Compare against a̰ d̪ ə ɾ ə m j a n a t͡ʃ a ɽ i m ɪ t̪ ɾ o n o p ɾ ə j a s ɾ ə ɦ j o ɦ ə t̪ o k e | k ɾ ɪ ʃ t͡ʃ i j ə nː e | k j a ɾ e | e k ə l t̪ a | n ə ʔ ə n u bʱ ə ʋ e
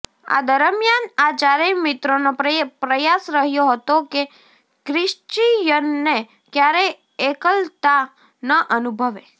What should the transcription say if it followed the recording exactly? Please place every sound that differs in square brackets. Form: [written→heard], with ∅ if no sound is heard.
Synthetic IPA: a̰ d̪ ə ɾ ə m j a n a t͡ʃ a [ɽ→ɾ] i m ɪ t̪ ɾ o n o p ɾ ə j a s ɾ ə ɦ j o ɦ ə t̪ o k e | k ɾ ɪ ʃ t͡ʃ i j ə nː e | k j a ɾ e | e k ə l t̪ a | n ə ʔ ə n u bʱ ə ʋ e